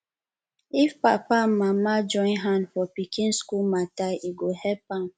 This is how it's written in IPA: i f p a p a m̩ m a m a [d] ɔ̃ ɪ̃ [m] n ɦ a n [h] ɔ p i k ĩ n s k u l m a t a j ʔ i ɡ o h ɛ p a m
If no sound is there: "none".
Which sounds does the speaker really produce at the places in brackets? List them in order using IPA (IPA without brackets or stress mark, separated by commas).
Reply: d͡ʒ, none, f